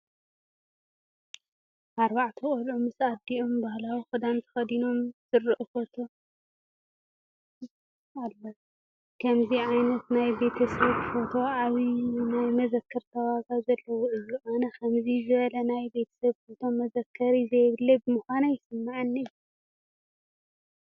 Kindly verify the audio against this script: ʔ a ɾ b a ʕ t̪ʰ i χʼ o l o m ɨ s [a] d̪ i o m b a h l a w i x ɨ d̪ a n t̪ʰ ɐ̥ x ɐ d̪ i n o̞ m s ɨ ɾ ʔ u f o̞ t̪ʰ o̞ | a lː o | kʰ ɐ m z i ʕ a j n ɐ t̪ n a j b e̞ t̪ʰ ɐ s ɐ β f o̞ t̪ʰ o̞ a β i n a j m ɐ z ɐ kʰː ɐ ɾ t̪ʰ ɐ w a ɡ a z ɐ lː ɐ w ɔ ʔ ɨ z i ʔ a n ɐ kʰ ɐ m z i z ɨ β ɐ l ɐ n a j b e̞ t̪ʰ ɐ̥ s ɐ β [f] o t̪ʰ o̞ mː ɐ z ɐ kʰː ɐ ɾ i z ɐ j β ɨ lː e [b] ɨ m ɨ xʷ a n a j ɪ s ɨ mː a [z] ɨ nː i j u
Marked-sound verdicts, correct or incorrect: correct, correct, correct, incorrect

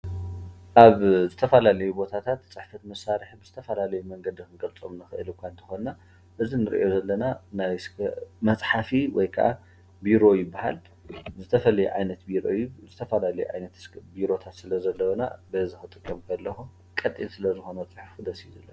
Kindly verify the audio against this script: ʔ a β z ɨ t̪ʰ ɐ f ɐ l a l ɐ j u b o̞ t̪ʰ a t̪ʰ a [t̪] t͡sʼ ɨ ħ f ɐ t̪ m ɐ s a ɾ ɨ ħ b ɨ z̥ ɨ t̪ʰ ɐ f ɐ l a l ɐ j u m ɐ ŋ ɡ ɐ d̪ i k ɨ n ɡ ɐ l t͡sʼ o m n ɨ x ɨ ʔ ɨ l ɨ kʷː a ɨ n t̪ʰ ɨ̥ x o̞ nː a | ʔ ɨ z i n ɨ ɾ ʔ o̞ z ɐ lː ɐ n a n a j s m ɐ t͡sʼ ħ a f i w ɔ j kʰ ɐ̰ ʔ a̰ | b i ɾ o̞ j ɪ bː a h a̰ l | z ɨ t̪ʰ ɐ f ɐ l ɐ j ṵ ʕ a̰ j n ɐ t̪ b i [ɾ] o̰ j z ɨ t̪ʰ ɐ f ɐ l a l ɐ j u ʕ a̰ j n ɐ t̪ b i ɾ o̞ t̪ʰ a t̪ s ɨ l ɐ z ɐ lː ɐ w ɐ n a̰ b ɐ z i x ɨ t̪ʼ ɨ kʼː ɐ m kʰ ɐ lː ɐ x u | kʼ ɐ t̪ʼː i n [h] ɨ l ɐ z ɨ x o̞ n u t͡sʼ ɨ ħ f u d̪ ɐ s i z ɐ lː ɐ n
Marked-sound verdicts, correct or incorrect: correct, correct, incorrect

